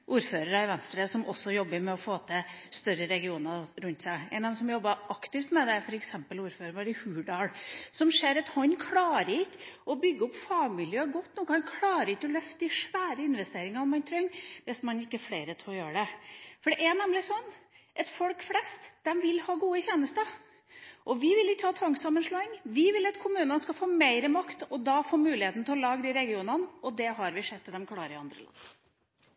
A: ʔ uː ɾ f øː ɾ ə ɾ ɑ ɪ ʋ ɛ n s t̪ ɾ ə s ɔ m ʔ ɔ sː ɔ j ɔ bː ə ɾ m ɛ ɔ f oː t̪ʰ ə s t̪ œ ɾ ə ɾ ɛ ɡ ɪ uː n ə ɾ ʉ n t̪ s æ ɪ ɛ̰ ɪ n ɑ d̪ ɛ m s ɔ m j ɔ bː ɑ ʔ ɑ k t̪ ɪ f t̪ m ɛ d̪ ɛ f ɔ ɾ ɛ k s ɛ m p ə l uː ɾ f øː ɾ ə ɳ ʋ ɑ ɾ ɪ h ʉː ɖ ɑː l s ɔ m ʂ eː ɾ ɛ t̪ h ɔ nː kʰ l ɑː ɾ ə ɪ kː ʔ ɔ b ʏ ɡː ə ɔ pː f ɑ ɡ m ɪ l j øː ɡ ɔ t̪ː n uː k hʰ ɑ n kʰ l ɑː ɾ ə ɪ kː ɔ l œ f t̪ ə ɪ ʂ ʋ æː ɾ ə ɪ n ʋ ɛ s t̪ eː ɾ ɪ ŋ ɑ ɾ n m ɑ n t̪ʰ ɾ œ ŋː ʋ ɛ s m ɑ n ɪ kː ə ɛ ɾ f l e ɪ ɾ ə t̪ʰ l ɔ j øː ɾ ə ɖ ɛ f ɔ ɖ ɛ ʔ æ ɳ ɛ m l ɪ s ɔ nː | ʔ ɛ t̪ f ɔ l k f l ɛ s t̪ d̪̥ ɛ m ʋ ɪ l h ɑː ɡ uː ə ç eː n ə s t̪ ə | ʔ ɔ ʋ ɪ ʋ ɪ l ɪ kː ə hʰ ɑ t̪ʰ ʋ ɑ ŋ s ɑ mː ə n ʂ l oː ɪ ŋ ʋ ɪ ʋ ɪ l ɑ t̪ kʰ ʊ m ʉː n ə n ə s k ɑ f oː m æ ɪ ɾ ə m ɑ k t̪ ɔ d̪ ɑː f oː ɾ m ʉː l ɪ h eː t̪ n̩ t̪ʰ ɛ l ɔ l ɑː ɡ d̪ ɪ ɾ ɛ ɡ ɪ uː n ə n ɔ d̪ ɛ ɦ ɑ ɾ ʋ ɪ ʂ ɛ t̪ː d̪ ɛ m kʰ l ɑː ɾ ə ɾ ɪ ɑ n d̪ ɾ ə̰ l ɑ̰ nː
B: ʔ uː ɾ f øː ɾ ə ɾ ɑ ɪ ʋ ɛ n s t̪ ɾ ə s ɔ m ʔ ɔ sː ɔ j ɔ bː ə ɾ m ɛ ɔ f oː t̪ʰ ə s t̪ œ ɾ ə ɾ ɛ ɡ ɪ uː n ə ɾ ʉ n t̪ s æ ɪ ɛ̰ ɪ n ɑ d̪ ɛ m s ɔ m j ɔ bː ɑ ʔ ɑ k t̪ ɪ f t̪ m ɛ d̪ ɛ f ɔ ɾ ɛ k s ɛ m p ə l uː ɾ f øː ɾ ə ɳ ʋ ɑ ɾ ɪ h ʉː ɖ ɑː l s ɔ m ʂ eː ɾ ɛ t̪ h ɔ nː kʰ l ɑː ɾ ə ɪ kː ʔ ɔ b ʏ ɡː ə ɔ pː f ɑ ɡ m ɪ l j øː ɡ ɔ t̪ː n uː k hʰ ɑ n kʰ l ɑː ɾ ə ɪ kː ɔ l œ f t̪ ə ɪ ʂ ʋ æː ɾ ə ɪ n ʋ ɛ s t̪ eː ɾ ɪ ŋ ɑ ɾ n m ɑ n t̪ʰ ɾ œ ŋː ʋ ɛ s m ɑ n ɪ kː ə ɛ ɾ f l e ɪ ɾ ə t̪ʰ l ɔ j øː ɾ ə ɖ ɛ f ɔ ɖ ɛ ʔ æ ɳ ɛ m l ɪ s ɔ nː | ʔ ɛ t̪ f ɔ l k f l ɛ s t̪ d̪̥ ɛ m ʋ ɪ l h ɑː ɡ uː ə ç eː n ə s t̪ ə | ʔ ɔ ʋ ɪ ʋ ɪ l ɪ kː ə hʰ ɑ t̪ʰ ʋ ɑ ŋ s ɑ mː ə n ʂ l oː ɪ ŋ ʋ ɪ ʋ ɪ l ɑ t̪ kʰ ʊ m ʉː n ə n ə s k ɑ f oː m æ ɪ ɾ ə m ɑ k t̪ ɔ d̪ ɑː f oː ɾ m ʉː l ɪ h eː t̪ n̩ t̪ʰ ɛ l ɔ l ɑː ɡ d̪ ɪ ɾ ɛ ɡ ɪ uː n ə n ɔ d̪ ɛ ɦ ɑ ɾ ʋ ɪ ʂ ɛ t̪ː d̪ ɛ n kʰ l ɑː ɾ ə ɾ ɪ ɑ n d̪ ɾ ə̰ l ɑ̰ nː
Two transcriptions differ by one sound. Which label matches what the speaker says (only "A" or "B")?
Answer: A